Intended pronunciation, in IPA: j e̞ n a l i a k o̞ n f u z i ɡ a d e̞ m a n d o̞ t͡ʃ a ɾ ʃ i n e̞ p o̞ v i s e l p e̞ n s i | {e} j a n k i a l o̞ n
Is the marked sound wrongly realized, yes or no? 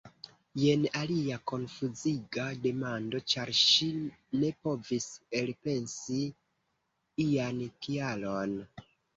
yes